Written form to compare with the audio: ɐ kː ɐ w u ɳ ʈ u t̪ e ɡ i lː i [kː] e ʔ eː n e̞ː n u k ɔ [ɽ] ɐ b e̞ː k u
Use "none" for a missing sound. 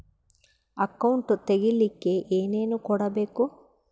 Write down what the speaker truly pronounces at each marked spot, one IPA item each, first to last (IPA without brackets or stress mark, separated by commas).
kː, ɽ